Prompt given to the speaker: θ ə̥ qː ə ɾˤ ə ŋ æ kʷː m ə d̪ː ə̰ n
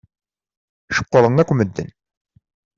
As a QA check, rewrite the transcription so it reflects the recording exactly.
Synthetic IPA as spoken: ʃ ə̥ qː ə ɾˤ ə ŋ æ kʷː m ə d̪ː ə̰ n